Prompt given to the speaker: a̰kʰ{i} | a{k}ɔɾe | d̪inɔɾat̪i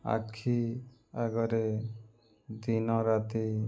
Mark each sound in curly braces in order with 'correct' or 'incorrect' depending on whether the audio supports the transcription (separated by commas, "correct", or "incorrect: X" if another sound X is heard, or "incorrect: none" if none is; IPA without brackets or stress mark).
correct, incorrect: ɡ